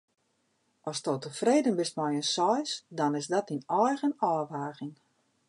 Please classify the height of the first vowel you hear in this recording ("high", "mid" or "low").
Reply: mid